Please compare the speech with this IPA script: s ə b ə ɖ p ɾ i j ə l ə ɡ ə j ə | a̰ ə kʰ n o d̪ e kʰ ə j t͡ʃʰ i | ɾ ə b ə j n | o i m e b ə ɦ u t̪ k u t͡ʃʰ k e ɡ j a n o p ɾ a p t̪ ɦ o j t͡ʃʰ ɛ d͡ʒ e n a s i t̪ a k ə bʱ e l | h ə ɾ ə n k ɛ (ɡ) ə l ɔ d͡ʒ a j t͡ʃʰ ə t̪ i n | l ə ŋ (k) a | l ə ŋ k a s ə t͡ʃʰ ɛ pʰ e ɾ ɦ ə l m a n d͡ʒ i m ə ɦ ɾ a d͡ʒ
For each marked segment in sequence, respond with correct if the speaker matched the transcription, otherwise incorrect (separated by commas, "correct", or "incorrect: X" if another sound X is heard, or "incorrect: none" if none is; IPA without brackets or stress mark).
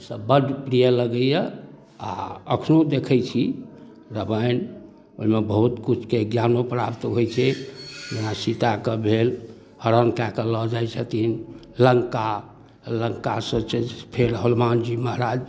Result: incorrect: k, correct